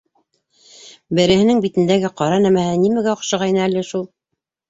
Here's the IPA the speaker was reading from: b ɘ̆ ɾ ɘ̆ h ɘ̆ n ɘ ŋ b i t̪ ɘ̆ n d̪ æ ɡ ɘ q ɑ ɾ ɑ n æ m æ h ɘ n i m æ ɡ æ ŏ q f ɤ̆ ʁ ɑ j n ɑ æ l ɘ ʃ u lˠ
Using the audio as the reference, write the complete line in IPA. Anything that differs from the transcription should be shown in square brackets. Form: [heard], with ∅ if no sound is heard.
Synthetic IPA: b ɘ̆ ɾ ɘ̆ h ɘ̆ n ɘ ŋ b i t̪ ɘ̆ n d̪ æ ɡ ɘ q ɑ ɾ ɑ n æ m æ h ɘ n i m æ ɡ æ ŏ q [ʃ] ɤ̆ ʁ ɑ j n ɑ æ l ɘ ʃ u lˠ